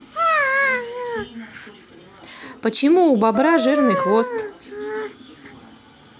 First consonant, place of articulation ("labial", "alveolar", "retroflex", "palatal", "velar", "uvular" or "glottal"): labial